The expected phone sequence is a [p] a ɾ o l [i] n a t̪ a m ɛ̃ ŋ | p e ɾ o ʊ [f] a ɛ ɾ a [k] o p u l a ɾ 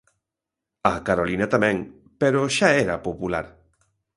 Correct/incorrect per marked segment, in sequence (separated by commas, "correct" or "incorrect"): incorrect, correct, incorrect, incorrect